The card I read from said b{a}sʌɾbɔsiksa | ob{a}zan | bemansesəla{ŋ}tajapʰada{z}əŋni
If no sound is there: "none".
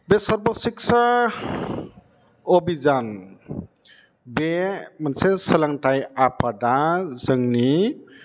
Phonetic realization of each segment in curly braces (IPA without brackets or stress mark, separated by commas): e, i, ŋ, z